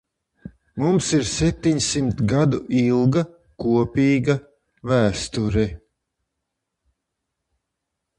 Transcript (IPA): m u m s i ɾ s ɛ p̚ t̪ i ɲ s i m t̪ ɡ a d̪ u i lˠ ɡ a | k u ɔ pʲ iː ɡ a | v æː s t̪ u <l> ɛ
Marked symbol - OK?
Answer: no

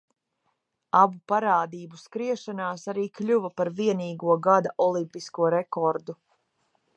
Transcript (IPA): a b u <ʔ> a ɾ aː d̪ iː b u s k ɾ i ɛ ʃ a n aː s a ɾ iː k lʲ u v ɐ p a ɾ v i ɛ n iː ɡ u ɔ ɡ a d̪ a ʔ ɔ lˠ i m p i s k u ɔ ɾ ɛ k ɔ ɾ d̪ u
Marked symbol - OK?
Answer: no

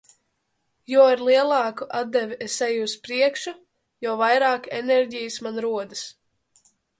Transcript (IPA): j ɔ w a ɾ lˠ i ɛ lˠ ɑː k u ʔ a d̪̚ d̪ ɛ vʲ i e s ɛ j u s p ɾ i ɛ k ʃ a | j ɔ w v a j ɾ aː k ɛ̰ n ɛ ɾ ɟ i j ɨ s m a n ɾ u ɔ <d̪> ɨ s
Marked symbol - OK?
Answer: yes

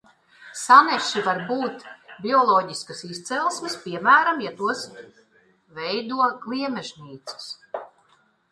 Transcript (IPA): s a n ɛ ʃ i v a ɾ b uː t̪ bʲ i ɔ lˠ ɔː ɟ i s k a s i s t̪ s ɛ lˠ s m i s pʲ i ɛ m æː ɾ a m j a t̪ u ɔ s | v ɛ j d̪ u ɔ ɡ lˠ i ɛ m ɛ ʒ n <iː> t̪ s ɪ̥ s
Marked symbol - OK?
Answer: yes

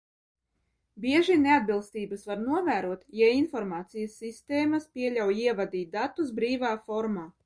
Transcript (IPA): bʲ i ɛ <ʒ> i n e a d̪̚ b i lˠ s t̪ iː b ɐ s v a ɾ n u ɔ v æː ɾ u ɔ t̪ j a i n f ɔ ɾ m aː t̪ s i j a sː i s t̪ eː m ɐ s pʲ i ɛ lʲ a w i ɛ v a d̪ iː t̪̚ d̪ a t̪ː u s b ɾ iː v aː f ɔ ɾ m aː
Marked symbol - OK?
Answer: yes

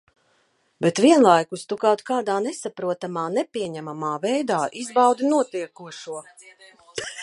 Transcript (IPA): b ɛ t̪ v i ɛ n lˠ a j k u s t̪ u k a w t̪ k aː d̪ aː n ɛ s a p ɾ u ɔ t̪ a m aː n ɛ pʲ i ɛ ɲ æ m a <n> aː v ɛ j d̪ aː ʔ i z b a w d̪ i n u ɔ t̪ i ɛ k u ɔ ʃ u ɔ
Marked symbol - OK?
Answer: no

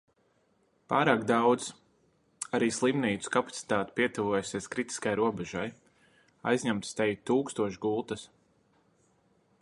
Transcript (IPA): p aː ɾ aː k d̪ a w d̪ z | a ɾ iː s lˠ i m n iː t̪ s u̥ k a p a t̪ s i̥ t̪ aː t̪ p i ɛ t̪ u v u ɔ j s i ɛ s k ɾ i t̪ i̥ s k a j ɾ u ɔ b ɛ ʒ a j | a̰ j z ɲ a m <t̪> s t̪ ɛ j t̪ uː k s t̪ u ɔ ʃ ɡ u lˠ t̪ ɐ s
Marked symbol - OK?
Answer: yes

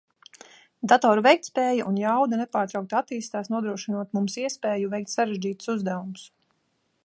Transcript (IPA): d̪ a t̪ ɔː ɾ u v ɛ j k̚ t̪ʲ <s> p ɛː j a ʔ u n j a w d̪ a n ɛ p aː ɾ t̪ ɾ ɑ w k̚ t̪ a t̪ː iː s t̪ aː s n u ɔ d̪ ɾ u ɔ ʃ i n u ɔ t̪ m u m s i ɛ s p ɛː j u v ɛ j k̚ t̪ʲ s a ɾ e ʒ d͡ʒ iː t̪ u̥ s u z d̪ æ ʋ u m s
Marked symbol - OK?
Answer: yes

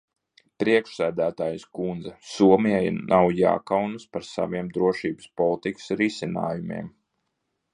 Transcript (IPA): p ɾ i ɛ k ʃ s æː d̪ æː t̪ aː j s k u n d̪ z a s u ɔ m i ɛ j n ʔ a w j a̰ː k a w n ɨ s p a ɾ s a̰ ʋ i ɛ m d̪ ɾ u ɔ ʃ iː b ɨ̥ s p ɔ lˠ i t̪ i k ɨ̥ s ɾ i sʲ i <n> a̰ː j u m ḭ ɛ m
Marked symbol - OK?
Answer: yes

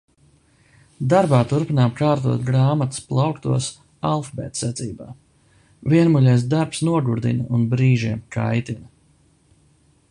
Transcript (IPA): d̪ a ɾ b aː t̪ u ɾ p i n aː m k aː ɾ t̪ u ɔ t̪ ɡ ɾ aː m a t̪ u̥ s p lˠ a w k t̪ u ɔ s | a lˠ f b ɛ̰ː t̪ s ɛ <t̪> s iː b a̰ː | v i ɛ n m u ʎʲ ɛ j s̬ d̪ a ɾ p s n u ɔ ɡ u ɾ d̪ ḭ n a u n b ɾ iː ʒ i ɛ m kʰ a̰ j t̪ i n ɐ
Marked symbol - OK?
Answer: yes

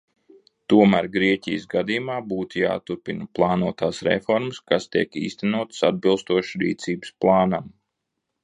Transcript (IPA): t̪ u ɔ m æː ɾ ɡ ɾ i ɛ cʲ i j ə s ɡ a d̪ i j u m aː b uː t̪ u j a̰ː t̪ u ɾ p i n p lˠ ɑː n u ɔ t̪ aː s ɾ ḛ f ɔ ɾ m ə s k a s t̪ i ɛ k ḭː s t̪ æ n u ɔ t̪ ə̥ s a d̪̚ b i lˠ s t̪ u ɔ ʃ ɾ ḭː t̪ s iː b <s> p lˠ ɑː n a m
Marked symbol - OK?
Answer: yes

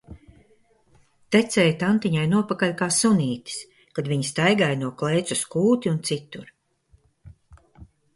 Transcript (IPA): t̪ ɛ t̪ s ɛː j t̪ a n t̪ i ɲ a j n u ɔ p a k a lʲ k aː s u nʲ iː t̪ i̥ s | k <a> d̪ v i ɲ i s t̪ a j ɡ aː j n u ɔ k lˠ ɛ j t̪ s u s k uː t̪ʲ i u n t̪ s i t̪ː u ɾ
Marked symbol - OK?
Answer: yes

